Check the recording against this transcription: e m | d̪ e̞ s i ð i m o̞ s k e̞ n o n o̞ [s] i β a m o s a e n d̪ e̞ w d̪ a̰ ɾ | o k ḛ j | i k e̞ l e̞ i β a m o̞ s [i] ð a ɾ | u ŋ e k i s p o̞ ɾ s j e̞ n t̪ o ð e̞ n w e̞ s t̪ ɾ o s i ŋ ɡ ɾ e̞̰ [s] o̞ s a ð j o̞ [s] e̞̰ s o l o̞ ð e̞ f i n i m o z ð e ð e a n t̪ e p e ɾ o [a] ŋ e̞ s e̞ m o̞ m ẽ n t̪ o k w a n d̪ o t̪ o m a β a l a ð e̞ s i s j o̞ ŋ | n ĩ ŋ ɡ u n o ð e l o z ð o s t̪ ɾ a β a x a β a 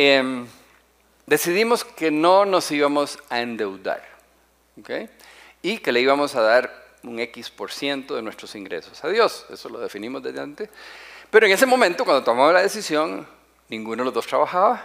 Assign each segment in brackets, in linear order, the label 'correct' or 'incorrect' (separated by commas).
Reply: correct, incorrect, correct, correct, incorrect